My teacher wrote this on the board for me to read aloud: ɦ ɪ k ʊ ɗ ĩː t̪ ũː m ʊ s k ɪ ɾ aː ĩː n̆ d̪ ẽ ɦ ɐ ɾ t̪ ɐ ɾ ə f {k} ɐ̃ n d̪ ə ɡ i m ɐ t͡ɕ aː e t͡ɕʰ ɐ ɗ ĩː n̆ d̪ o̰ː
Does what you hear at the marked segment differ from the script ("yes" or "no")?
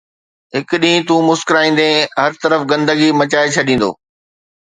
yes